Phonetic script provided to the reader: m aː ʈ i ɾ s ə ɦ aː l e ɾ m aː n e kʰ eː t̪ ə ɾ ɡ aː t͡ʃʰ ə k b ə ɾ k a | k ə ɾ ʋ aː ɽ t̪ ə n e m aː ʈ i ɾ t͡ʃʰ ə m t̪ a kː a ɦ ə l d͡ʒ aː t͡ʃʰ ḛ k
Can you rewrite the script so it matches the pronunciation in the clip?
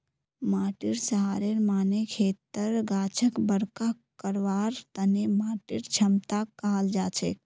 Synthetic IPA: m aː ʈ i ɾ s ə ɦ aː ɾ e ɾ m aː n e kʰ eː t̪ ə ɾ ɡ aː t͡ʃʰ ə k b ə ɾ k a | k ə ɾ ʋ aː ɾ t̪ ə n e m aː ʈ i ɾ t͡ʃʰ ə m t̪ a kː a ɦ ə l d͡ʒ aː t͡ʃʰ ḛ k

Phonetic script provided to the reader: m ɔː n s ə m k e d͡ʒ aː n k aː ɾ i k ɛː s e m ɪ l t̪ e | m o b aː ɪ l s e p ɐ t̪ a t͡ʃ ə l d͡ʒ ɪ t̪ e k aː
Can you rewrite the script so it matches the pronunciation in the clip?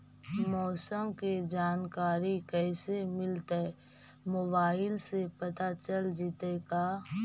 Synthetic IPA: m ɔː s ə m k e d͡ʒ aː n k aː ɾ i k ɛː s e m ɪ l t̪ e | m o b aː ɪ l s e p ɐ t̪ a t͡ʃ ə l d͡ʒ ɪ t̪ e k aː

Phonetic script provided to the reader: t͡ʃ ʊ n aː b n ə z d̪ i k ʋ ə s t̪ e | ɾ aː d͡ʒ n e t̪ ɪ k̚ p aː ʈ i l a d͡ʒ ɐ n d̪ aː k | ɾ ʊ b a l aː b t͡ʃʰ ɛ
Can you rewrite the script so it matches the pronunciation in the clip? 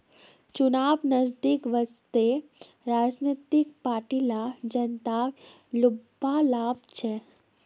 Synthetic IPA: t͡ʃ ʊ n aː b n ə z d̪ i k ʋ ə s t̪ e | ɾ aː d͡ʒ n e t̪ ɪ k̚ p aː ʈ i l a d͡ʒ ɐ n t̪ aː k | l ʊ b a l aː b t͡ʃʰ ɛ

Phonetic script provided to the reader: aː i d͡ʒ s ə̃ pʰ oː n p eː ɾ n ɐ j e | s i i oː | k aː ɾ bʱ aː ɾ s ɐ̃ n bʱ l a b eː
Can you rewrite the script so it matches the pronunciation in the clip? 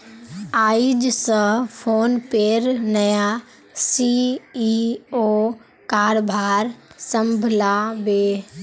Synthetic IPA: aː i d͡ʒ s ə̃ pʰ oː n p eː ɾ n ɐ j a | s i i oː | k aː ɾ bʱ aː ɾ s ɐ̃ m bʱ l a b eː

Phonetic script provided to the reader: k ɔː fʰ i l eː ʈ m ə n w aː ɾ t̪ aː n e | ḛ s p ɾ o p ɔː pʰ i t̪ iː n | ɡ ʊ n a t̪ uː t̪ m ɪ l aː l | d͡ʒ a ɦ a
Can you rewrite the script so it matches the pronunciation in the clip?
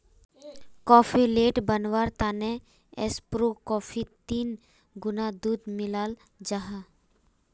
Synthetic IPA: k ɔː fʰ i l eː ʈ b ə n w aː ɾ t̪ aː n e | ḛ s p ɾ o k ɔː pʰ i t̪ iː n | ɡ ʊ n a d̪ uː d̪ m ɪ l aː l | d͡ʒ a ɦ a

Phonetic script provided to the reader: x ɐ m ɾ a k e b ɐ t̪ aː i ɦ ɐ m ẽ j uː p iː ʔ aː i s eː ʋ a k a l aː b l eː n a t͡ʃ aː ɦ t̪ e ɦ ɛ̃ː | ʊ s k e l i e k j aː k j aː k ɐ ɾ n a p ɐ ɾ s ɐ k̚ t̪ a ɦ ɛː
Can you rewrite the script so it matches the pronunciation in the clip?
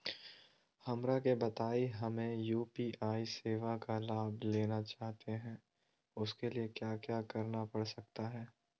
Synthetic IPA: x ɐ m ɾ a k e b ɐ t̪ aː i ɦ ɐ m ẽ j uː p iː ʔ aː i s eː ʋ a k a l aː b l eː n a t͡ʃ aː ɦ t̪ e ɦ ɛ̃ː | ʊ s k e l i e k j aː k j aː k ɐ ɾ n a p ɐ ɽ s ɐ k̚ t̪ a ɦ ɛː

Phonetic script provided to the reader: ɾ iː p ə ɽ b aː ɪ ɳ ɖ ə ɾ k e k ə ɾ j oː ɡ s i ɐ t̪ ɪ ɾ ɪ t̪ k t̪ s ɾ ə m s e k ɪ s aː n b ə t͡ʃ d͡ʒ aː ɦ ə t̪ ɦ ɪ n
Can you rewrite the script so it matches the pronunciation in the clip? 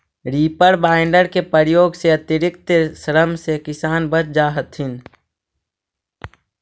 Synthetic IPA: ɾ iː p ə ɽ b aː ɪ ɳ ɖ ə ɾ k e p ə ɾ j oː ɡ s e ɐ t̪ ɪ ɾ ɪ k t̪ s ɾ ə m s e k ɪ s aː n b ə t͡ʃ d͡ʒ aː ɦ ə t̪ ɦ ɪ n

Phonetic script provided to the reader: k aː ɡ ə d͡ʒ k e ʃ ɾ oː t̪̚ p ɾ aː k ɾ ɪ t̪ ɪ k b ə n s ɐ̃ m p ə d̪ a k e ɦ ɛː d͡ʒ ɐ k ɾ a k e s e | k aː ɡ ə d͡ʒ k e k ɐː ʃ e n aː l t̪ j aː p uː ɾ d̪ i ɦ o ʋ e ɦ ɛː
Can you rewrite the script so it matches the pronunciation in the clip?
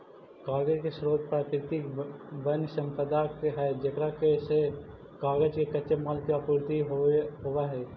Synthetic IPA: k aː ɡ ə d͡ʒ k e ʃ ɾ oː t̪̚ p ɾ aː k ɾ ɪ t̪ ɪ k b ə n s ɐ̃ m p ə d̪ a k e ɦ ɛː d͡ʒ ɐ k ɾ a k e s e | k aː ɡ ə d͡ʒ k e k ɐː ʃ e m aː l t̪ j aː p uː ɾ t̪ i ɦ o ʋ a ɦ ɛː

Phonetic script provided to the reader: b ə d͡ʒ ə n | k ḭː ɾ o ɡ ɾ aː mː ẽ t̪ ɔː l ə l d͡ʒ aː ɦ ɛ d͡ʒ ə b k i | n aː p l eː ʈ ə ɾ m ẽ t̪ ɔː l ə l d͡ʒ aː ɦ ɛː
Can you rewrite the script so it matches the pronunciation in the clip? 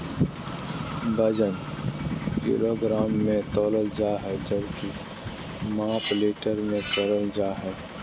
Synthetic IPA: b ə d͡ʒ ə n | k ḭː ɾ o ɡ ɾ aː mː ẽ t̪ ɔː l ə l d͡ʒ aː ɦ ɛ d͡ʒ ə b k i | m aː p l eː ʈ ə ɾ m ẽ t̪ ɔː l ə l d͡ʒ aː ɦ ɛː

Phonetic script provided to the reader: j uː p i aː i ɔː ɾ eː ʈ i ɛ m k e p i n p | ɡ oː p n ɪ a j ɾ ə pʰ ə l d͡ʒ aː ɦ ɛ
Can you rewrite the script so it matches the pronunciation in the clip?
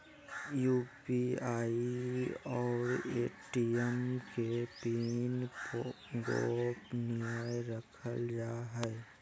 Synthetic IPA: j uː p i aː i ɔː ɾ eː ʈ i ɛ m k e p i n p | ɡ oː p n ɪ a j ɾ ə kʰ ə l d͡ʒ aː ɦ ɛ

